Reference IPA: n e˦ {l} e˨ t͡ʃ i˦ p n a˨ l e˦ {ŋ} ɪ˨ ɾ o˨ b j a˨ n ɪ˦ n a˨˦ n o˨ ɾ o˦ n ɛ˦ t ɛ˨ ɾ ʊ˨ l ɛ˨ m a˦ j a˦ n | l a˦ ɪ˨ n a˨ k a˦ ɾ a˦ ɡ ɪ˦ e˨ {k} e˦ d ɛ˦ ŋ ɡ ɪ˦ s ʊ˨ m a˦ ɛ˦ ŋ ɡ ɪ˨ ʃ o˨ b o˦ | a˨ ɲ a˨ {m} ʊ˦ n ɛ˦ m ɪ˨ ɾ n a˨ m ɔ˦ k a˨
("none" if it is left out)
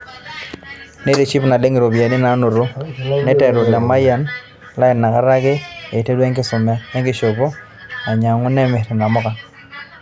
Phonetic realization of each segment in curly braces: ɾ, ŋ, t, ŋ

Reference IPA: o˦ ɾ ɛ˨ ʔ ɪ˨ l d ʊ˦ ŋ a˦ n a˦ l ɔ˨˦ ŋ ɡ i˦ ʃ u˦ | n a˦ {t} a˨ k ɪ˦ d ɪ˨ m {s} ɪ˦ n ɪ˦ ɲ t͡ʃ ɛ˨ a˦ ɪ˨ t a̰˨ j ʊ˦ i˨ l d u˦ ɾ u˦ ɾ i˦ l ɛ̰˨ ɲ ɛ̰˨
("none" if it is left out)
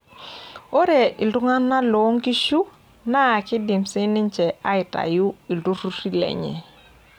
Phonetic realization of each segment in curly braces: none, s

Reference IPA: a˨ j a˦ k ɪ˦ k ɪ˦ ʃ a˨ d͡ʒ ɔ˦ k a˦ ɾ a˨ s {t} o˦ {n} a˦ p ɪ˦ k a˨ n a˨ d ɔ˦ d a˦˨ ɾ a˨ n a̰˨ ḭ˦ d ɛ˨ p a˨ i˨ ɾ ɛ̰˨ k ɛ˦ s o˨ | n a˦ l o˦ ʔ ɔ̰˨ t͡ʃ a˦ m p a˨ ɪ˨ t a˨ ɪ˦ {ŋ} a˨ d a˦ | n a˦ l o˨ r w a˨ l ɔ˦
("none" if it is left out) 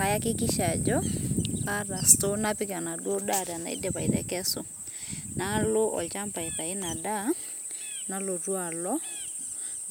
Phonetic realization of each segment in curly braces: t, n, n

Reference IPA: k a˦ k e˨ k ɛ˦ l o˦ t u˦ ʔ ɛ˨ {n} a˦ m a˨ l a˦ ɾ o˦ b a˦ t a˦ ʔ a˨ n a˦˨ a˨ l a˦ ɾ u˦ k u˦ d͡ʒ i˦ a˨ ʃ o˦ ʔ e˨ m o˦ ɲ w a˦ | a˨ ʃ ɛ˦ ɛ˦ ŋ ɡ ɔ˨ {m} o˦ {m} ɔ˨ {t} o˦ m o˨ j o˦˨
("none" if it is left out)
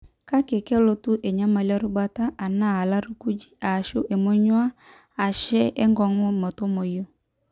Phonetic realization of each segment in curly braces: ɲ, ŋ, m, t

